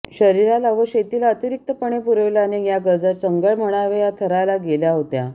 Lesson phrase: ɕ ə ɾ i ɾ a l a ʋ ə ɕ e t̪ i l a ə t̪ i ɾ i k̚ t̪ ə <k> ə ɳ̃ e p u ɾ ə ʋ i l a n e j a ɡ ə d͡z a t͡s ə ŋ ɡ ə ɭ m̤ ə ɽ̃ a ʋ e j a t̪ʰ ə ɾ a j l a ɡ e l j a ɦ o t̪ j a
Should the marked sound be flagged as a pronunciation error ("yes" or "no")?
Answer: yes